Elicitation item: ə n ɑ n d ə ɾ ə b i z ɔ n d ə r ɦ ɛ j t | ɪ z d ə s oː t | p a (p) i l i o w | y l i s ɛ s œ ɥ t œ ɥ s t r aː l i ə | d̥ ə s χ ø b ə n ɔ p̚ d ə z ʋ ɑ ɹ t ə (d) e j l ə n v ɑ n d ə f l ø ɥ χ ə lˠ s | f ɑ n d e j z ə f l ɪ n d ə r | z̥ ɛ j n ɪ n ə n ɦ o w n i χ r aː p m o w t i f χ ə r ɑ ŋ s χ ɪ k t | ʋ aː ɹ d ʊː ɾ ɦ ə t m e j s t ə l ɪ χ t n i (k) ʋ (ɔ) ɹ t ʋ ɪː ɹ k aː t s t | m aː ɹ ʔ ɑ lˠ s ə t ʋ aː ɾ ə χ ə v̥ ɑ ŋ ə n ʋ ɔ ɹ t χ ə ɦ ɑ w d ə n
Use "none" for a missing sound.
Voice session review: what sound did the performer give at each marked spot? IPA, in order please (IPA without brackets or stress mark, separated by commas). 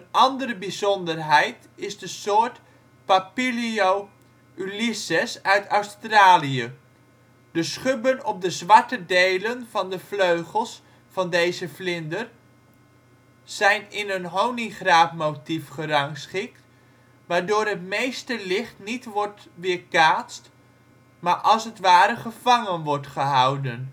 p, d, t, ɔ